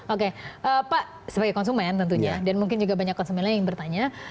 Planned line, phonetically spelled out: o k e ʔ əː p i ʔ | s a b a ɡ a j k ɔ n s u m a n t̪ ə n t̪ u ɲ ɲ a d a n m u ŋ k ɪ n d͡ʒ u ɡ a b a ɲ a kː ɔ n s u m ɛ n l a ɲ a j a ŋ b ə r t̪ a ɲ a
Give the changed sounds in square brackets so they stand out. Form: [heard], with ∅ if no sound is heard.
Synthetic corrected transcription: o k e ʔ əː p [a] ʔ | s [ə] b a ɡ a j k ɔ n s u m [ɛ] n t̪ ə n t̪ u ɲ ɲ a d a n m u ŋ k ɪ n d͡ʒ u ɡ a b a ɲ a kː ɔ n s u m ɛ n l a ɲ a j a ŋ b ə r t̪ a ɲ a